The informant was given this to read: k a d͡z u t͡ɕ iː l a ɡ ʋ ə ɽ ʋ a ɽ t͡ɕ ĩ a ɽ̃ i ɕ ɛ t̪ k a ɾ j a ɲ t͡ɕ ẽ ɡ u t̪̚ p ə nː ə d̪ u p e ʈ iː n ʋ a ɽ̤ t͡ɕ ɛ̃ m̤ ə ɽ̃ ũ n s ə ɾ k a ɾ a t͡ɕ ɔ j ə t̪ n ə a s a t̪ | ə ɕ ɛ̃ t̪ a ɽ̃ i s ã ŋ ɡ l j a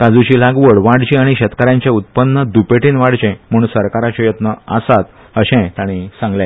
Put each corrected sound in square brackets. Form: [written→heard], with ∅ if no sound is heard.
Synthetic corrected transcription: k a d͡z u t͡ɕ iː l a ɡ ʋ ə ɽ ʋ a ɽ t͡ɕ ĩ a ɽ̃ i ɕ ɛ t̪ k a ɾ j a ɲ t͡ɕ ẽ [ɡ→∅] u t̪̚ p ə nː ə d̪ u p e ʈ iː n ʋ a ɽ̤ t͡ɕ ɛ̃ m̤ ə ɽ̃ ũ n s ə ɾ k a ɾ a t͡ɕ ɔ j ə t̪ n ə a s a t̪ | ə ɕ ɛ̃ t̪ a ɽ̃ i s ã ŋ ɡ l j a